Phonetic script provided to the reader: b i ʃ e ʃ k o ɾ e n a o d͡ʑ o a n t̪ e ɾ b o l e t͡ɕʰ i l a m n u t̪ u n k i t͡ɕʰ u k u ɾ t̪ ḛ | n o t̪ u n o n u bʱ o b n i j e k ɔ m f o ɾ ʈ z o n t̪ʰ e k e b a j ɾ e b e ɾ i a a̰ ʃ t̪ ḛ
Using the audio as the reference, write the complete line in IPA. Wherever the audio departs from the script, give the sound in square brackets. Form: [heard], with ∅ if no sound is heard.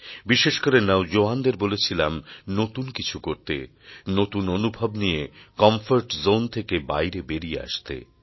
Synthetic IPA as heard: b i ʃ e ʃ k o ɾ e n a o d͡ʑ o a n [d̪] e ɾ b o l e t͡ɕʰ i l a m n [o] t̪ u n k i t͡ɕʰ u k [o] ɾ t̪ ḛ | n o t̪ u n o n u bʱ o b n i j e k ɔ m f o ɾ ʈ z o n t̪ʰ e k e b a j ɾ e b e ɾ i [e] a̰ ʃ t̪ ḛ